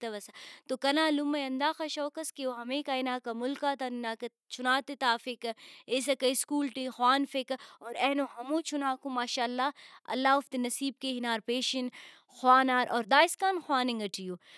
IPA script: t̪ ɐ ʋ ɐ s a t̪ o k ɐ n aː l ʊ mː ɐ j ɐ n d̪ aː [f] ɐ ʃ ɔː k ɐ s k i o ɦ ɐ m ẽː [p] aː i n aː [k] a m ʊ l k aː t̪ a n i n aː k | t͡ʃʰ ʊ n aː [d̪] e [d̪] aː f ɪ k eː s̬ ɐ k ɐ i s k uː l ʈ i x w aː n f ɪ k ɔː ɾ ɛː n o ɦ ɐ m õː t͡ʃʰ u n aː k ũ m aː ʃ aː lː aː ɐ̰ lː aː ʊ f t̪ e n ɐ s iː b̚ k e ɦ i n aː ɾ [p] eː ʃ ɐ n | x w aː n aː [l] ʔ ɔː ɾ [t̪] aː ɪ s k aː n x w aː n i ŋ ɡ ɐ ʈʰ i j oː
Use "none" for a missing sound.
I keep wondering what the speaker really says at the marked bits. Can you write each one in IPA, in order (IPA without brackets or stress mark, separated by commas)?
x, k, k, t̪, t̪, p, ɾ, d̪